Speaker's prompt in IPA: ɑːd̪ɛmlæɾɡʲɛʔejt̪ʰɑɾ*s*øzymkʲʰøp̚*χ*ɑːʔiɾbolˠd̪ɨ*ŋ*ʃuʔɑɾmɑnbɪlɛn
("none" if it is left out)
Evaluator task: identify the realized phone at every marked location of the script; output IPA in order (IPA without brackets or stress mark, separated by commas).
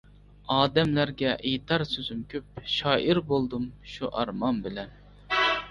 s, ʃ, m